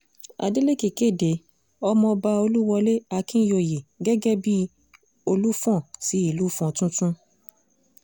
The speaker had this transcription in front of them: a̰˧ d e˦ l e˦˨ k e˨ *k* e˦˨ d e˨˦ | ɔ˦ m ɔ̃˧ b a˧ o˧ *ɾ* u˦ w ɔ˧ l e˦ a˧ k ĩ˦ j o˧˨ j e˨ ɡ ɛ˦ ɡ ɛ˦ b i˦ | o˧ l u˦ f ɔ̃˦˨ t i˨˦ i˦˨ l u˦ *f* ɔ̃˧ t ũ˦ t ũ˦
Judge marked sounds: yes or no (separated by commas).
yes, no, yes